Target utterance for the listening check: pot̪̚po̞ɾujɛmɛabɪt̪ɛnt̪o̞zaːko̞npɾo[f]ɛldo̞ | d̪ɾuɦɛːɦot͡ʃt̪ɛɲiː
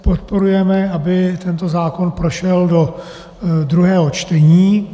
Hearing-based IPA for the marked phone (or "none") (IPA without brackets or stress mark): ʃ